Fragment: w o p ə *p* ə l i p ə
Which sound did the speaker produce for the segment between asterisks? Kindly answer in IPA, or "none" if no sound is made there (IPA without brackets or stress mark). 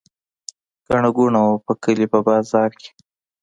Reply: k